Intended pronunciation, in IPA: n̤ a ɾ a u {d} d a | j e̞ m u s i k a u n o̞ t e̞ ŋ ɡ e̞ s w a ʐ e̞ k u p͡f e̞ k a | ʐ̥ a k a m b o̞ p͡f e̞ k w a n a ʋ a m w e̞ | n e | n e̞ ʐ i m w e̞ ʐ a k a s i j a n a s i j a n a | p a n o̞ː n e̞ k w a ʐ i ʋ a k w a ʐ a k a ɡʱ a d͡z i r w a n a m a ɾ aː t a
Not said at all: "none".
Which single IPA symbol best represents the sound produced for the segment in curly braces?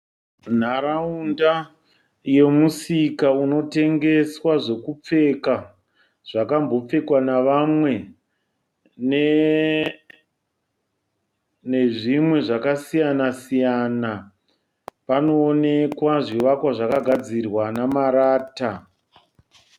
n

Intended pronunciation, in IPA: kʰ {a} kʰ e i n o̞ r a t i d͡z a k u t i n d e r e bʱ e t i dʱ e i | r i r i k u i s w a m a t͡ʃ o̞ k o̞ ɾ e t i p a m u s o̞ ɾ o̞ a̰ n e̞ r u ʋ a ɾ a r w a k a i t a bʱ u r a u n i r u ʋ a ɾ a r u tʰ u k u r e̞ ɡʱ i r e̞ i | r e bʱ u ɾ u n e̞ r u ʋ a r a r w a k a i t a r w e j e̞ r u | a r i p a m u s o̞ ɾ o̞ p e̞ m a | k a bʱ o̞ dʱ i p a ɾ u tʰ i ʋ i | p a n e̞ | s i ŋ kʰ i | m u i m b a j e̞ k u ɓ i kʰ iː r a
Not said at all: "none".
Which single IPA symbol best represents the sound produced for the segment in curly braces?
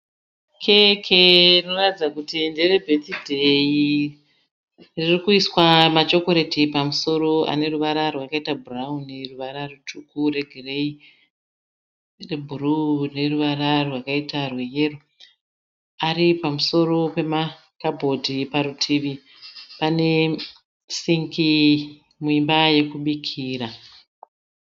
e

